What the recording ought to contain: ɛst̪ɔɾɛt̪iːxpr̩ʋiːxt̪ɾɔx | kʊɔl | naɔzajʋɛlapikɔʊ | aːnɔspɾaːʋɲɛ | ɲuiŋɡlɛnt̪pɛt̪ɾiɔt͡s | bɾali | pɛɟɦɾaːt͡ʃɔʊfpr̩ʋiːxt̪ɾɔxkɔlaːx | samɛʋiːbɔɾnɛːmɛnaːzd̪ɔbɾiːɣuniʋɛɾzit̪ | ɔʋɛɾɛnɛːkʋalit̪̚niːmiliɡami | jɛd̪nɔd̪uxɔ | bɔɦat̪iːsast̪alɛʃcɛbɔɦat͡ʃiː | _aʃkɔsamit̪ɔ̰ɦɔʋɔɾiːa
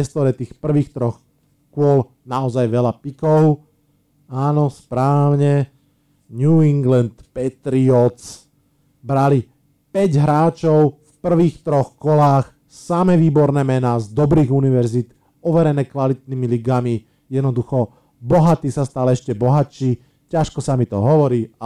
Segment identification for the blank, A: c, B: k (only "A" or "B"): A